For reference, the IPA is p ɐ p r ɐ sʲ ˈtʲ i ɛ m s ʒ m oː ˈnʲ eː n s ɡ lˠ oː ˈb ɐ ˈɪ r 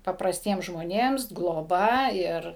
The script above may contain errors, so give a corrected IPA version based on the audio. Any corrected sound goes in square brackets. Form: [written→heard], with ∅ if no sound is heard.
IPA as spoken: p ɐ p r ɐ sʲ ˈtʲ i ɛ m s ʒ m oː ˈnʲ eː [n→m] s ɡ lˠ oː ˈb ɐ ˈɪ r